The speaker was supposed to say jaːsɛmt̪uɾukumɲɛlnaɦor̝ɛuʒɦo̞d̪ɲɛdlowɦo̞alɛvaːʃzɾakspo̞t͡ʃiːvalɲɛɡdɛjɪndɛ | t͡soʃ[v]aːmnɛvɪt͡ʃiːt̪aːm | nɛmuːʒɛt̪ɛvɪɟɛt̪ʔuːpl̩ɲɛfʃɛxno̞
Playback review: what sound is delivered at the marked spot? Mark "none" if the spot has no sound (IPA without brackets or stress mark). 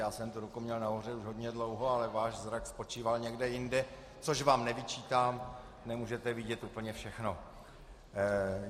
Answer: v